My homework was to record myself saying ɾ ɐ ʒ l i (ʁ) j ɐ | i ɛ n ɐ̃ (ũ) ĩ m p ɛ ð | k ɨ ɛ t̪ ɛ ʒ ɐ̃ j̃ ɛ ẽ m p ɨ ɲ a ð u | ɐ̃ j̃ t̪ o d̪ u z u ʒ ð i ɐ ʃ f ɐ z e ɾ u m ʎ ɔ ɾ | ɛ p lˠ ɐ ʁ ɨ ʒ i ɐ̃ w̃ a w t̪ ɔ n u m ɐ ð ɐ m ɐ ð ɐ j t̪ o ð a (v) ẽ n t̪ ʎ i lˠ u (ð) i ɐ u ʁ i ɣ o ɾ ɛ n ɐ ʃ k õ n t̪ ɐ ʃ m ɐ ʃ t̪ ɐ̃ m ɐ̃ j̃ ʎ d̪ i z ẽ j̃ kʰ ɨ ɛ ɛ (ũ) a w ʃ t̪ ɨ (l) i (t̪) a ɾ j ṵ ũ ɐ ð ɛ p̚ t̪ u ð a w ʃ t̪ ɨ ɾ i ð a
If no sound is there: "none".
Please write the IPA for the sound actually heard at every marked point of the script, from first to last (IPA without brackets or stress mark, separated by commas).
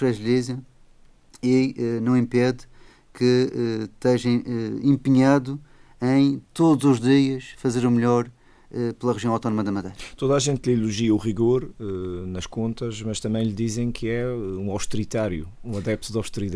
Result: z, w̃, ʒ, ʒ, ũ, ɾ, t̪